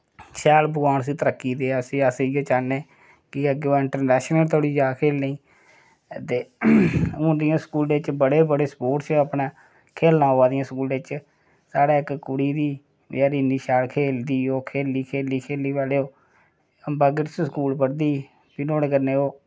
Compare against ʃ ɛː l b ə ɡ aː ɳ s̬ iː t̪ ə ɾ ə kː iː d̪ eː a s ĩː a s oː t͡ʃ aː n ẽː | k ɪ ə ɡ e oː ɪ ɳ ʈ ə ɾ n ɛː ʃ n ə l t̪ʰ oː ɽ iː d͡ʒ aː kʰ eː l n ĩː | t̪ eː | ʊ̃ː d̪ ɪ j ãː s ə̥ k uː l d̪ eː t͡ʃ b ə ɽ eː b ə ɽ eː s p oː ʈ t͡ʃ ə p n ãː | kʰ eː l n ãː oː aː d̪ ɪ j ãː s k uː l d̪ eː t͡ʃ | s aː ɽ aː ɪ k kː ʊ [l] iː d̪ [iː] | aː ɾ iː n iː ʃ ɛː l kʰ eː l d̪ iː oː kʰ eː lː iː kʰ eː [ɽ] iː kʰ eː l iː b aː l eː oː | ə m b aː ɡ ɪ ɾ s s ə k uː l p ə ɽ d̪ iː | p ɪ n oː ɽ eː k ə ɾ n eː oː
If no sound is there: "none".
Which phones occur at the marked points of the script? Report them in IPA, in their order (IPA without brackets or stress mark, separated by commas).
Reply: ɽ, iː, l